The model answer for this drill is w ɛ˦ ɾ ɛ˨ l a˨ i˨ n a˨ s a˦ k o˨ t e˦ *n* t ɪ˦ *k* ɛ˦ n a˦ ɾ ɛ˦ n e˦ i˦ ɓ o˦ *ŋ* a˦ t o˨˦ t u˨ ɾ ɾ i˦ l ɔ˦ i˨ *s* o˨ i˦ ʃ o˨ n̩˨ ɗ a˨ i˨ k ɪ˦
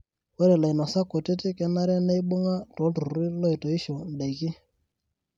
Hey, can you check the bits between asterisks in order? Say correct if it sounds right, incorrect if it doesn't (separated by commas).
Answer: incorrect, correct, correct, incorrect